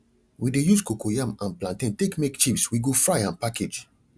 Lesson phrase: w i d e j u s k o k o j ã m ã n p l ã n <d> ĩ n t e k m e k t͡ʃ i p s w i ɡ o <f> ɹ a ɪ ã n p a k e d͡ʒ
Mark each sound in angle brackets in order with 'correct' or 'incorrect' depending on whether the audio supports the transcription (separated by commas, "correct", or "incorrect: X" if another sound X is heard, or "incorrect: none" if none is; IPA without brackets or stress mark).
incorrect: t, correct